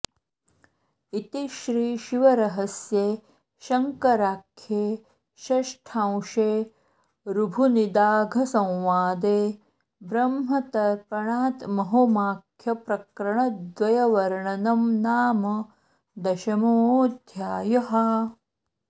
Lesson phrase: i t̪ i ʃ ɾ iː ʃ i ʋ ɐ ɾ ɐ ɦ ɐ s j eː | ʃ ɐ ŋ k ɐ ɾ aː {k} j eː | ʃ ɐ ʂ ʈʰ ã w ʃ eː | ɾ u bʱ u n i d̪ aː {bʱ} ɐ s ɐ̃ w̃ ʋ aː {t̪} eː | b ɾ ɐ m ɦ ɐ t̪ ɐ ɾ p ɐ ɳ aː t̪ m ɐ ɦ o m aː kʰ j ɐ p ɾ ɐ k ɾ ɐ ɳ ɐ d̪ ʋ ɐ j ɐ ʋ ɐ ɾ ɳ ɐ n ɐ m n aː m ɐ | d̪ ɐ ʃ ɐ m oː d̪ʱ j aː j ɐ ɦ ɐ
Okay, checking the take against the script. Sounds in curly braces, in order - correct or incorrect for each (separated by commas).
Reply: incorrect, incorrect, incorrect